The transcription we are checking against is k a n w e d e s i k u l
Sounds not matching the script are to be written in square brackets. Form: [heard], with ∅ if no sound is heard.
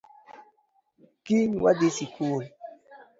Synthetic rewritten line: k [i] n w [a] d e s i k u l